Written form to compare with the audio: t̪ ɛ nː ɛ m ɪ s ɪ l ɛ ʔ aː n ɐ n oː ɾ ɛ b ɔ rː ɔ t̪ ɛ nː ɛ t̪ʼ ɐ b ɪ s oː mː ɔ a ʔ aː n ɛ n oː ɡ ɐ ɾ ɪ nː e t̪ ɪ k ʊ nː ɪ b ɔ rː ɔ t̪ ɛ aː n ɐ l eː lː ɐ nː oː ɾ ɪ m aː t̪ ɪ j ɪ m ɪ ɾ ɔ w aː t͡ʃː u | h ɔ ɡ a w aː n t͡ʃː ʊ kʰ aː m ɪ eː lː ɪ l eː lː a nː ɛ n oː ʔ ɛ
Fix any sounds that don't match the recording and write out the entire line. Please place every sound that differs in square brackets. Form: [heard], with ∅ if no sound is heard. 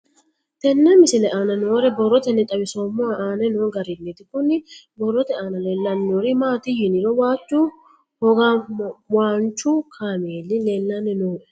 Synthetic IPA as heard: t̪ ɛ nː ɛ m ɪ s ɪ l ɛ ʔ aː n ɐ n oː ɾ ɛ b ɔ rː ɔ t̪ ɛ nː ɛ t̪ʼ ɐ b ɪ s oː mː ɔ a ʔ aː n ɛ n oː ɡ ɐ ɾ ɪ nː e t̪ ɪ k ʊ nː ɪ b ɔ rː ɔ t̪ ɛ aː n ɐ l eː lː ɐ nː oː ɾ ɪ m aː t̪ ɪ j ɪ [n] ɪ ɾ ɔ w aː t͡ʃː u | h ɔ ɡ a w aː n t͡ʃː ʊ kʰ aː m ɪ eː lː ɪ l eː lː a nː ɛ n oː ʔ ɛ

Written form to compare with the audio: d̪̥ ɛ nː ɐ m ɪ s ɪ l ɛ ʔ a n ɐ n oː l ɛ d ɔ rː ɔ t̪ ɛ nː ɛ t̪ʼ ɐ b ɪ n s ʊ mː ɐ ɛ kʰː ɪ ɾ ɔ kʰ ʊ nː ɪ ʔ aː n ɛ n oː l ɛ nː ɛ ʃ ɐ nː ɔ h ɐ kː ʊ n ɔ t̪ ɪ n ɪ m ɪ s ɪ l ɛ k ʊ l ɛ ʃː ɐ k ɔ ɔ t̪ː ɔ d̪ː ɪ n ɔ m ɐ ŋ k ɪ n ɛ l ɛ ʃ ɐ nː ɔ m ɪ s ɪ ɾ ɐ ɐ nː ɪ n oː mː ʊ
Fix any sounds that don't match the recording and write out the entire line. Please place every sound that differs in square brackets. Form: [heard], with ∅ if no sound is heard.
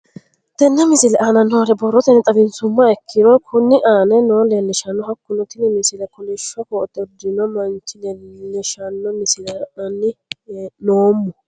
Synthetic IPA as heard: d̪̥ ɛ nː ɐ m ɪ s ɪ l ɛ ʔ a n ɐ n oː l ɛ [b] ɔ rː ɔ t̪ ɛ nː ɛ t̪ʼ ɐ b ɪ n s ʊ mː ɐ ɛ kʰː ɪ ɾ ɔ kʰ ʊ nː ɪ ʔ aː n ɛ n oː l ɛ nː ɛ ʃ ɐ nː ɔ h ɐ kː ʊ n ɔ t̪ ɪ n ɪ m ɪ s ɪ l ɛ k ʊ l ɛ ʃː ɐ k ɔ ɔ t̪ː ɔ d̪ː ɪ n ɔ m ɐ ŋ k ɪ n ɛ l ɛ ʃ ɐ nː ɔ m ɪ s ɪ [l] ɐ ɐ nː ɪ n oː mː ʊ

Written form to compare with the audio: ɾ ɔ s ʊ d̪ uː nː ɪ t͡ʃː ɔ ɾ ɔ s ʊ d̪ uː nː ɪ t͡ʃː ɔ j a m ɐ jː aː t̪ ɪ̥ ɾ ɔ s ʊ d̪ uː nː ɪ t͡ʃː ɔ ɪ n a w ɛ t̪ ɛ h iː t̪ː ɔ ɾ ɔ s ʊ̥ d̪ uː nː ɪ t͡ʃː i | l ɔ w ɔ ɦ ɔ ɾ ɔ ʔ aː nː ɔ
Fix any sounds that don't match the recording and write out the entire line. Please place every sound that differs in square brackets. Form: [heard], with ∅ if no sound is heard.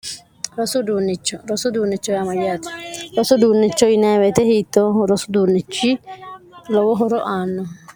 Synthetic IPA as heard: ɾ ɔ s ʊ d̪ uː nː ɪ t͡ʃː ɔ ɾ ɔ s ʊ d̪ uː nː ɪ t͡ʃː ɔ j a m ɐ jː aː t̪ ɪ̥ ɾ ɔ s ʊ d̪ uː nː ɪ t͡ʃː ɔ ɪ n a w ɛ t̪ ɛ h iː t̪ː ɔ ɾ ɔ s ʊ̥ d̪ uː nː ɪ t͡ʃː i | l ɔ w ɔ ɦ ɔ ɾ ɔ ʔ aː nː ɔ

